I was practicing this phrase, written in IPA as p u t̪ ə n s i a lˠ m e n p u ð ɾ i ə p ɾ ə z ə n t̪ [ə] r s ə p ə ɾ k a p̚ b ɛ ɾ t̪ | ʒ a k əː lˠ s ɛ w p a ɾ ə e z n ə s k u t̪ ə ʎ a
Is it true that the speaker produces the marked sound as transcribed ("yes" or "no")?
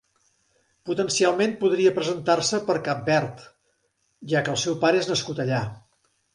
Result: no